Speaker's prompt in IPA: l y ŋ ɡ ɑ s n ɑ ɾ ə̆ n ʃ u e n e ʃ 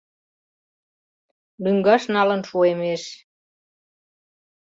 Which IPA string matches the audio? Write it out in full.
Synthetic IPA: l y ŋ ɡ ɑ ʃ n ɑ l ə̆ n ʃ u e m e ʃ

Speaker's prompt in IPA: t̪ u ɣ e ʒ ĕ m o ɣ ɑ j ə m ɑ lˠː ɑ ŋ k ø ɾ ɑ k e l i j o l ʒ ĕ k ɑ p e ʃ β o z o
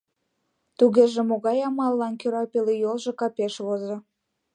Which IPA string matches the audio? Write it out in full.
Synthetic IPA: t̪ u ɣ e ʒ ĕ m o ɣ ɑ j ɑ m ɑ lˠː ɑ n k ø ɾ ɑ p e l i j o l ʒ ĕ k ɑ p e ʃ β o z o

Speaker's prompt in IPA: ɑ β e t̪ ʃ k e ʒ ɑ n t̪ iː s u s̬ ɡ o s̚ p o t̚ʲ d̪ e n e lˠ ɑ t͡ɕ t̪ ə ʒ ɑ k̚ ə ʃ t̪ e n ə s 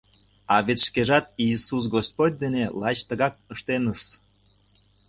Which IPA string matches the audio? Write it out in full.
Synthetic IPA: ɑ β e t̪ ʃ k e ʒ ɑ t̪ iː s u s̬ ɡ o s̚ p o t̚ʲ d̪ e n e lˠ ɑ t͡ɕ t̪ ə ɣ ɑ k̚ ə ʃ t̪ e n ə s

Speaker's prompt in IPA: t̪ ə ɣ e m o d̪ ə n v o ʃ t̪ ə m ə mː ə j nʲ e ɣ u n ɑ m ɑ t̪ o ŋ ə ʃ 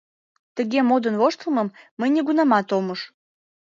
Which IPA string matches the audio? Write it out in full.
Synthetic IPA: t̪ ə ɣ e m o d̪ ə n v o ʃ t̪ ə m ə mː ə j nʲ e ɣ u n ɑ m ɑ t̪ o m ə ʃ

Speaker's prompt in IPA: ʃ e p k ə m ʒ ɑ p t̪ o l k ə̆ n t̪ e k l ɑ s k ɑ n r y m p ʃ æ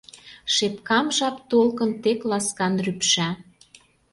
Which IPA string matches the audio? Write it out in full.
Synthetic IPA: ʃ e p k ɑ m ʒ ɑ p t̪ o l k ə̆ n t̪ e k l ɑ s k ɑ n r y p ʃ æ

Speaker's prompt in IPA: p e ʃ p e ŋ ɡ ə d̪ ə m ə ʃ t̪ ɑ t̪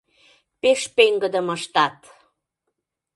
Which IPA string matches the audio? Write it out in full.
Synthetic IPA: p e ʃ p e ŋ ɡ ə d̪ ə m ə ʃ t̪ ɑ t̪

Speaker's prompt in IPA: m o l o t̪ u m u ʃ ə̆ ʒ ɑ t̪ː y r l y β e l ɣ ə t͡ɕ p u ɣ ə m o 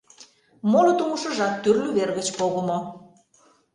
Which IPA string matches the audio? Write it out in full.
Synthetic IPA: m o l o t̪ u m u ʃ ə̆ ʒ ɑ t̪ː y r l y β e r ɣ ə t͡ɕ p o ɣ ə m o

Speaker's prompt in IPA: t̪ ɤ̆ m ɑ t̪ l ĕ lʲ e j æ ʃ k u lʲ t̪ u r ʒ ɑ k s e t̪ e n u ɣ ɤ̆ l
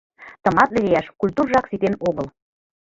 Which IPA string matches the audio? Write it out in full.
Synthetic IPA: t̪ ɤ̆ m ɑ t̪ l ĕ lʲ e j æ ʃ k u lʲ t̪ u r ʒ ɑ k s i t̪ e n o ɣ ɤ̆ l

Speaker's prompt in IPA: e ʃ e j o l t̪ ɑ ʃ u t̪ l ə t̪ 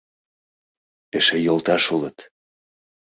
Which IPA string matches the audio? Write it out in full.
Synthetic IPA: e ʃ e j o l t̪ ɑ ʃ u l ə t̪

